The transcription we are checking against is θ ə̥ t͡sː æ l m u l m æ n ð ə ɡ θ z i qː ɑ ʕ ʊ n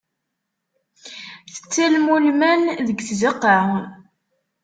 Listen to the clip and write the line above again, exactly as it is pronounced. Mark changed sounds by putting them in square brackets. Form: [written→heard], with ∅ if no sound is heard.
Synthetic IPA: θ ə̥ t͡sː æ l m u l m æ n ð ə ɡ θ z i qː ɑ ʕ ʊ n